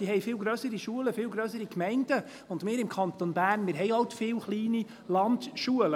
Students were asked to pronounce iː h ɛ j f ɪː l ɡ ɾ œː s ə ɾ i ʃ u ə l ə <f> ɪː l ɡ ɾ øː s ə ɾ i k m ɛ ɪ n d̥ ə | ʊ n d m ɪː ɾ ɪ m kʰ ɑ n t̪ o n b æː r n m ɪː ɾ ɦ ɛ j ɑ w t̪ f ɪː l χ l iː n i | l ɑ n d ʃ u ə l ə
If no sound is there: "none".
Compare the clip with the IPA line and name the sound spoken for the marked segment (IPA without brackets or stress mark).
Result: f